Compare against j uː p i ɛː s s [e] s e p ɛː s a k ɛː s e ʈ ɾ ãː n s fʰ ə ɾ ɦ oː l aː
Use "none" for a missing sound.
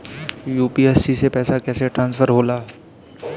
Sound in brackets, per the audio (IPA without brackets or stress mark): i